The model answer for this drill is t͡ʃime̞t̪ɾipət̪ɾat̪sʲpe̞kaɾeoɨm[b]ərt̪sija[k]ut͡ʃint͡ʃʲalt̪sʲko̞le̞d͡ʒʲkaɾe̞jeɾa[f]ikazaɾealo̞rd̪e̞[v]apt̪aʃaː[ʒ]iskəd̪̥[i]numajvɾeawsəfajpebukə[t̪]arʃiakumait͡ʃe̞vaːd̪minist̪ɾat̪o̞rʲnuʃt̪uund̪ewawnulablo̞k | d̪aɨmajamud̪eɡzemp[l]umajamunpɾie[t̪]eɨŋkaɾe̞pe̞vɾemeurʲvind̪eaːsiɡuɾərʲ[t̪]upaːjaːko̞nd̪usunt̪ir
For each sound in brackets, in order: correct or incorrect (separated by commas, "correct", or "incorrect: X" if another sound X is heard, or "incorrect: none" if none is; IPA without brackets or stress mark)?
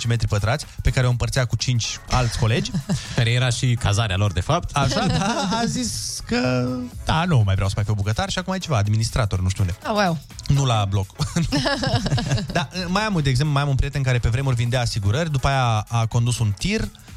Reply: incorrect: p, correct, incorrect: ʃ, incorrect: f, incorrect: z, incorrect: a, correct, correct, correct, incorrect: d̪